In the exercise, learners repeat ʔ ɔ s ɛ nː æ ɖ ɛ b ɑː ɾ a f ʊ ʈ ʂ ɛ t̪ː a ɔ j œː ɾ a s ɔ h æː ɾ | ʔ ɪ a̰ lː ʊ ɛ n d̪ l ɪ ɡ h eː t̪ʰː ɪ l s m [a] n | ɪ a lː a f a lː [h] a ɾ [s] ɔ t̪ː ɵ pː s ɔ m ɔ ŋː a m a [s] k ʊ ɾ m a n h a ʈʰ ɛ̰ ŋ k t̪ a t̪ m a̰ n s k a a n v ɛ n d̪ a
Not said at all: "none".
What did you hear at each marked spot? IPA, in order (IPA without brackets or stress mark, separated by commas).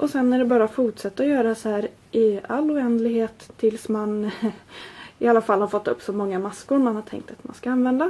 a, h, f, s